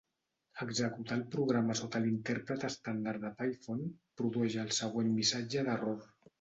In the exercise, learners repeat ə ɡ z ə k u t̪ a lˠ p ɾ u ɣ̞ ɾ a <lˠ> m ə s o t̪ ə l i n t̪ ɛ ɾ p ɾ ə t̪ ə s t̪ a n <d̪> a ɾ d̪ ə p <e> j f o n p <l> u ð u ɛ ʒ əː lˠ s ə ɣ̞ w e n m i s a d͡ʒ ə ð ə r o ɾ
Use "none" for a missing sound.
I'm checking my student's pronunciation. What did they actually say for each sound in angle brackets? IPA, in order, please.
none, d̪, a, ɾ

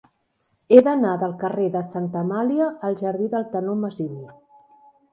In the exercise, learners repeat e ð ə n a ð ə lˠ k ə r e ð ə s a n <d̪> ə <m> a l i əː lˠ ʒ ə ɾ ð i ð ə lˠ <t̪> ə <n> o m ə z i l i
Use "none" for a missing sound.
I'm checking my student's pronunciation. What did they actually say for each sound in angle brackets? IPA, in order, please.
t̪, m, t̪, n

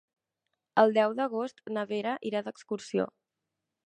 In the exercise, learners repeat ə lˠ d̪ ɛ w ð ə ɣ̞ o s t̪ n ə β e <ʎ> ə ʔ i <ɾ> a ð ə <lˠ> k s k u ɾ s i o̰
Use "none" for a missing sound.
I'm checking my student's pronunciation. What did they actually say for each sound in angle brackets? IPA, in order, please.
ɾ, ɾ, none

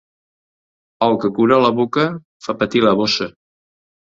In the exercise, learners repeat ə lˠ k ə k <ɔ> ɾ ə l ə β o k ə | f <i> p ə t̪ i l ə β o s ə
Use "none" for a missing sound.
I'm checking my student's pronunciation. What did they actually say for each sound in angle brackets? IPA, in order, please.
u, a

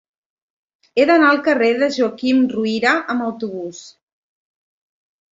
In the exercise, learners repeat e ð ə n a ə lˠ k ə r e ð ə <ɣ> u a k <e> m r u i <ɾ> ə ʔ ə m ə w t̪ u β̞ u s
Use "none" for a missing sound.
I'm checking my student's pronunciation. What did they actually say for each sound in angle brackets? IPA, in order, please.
ʒ, i, ɾ

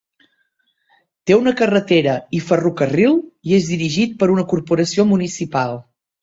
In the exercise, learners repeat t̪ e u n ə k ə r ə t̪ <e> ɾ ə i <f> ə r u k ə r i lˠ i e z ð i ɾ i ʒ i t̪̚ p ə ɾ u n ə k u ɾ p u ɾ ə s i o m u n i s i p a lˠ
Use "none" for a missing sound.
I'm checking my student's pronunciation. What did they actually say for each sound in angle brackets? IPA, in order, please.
e, f

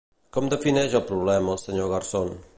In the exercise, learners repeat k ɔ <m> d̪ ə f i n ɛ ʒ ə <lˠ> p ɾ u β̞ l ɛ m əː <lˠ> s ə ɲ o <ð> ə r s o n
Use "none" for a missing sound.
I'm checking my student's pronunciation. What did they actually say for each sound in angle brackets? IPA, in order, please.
m, lˠ, lˠ, ɣ

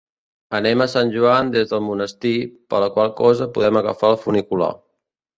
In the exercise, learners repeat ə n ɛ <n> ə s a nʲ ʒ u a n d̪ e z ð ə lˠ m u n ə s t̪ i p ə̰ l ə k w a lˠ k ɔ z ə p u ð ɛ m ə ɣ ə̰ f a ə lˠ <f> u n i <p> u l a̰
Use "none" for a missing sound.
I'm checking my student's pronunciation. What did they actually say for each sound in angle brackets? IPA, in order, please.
m, f, k

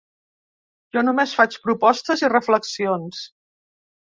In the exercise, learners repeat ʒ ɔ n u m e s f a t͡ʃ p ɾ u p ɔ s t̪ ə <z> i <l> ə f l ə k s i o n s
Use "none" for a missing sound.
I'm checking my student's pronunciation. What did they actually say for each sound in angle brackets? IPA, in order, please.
z, r

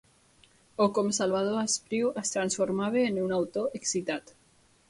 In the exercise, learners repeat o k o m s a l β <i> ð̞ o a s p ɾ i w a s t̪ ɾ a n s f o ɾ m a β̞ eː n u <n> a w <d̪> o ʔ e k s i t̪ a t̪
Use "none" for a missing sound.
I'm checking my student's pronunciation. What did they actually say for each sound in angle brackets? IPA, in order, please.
a, n, t̪

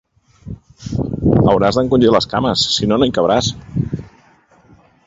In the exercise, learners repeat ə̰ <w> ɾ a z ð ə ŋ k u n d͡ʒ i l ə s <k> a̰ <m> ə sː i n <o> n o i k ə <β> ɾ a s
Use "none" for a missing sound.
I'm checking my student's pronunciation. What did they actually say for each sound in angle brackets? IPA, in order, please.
w, k, m, o, β

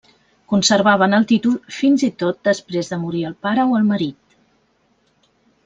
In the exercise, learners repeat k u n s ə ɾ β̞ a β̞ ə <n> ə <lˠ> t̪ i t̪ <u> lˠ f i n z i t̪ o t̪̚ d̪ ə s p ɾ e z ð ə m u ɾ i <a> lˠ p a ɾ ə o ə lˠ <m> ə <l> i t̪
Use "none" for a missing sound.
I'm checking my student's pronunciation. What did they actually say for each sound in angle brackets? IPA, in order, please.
n, lˠ, u, ə, m, ɾ

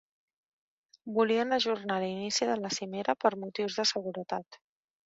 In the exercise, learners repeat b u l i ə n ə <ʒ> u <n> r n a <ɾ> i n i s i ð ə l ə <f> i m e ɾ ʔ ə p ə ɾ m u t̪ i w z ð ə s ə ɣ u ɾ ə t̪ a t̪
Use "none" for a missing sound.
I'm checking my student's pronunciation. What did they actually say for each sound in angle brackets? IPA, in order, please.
ʒ, none, l, s

